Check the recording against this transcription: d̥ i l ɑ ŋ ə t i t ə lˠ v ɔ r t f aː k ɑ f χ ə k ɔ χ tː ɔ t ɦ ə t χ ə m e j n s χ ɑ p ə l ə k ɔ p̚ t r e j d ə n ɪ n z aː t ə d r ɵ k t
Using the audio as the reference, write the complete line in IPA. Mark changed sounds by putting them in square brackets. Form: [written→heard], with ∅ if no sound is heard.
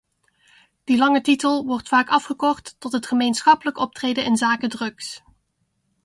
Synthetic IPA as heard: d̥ i l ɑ ŋ ə t i t ə lˠ [v→ʋ] ɔ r t f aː k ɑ f χ ə k ɔ χ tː ɔ t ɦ ə t χ ə m e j n s χ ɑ p ə l ə k ɔ p̚ t r e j d ə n ɪ n z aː [t→k] ə d r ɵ k [t→s]